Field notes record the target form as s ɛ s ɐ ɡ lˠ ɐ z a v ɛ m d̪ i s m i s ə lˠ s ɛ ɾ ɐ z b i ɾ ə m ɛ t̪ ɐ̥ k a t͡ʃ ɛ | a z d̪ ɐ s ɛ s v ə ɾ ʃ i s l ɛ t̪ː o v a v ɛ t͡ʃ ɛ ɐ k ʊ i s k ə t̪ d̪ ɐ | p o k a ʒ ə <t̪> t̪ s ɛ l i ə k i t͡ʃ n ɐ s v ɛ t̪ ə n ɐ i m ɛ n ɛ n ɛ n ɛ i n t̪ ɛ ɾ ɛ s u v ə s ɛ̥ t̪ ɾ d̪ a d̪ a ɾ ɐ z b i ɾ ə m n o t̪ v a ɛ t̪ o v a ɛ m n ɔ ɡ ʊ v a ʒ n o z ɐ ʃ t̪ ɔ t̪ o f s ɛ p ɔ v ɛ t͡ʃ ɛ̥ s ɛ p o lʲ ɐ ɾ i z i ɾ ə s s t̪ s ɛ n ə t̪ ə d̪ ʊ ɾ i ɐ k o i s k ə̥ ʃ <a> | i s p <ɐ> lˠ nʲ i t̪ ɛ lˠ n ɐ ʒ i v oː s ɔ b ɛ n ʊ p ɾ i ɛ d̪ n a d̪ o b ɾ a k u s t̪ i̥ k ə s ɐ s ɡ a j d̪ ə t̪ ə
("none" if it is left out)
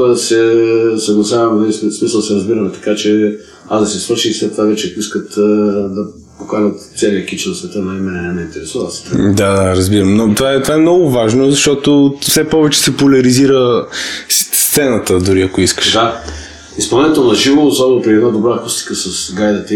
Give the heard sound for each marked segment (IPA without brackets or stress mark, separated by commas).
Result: t̪, a, ɐ